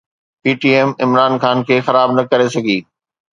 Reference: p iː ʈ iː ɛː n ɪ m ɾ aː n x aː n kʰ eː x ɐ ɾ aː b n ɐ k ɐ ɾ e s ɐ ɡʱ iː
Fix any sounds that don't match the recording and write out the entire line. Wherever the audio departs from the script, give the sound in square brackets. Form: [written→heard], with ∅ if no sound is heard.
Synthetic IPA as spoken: p iː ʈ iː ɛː [n→m] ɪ m ɾ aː n x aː n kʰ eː x ɐ ɾ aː b n ɐ k ɐ ɾ e s ɐ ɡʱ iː